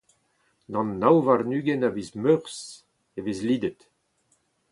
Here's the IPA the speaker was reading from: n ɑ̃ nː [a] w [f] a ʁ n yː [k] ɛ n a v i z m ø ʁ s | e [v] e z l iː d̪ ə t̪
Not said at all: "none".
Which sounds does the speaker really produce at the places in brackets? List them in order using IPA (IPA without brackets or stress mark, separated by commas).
a, v, ɡ, v